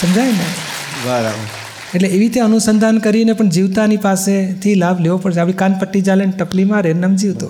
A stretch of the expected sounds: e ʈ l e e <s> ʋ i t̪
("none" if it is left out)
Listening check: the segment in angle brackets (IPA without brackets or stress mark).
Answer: none